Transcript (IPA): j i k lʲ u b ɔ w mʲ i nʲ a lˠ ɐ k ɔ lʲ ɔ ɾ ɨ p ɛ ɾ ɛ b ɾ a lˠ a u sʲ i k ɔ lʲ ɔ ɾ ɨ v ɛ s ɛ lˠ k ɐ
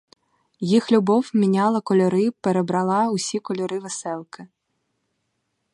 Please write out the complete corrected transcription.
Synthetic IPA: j i x lʲ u b ɔ w mʲ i nʲ a lˠ ɐ k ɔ lʲ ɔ ɾ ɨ p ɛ ɾ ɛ b ɾ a lˠ a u sʲ i k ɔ lʲ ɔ ɾ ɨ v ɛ s ɛ lˠ k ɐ